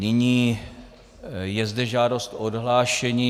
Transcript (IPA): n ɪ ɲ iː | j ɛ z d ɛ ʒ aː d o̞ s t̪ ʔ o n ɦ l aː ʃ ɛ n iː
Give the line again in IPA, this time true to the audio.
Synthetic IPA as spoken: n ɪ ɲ iː | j ɛ z d ɛ ʒ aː d o̞ s t̪ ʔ o d ɦ l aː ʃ ɛ ɲ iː